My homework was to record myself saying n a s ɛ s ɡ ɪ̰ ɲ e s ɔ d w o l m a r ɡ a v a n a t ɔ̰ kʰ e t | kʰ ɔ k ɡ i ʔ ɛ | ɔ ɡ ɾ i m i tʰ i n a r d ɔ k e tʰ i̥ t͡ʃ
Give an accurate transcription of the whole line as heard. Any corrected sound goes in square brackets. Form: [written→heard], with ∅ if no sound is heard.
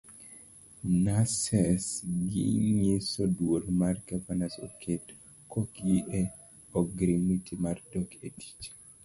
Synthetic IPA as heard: n a s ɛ s ɡ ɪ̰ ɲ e s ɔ d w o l m a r ɡ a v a n a [t→s] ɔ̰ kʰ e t | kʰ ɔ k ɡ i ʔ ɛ | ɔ ɡ ɾ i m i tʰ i [n→m] a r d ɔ k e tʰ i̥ t͡ʃ